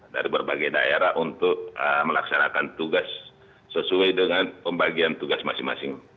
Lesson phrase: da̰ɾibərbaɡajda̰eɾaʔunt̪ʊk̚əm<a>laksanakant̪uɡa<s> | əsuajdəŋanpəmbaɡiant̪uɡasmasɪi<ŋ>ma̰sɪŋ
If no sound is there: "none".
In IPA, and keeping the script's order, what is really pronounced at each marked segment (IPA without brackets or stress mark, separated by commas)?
ə, sː, ŋ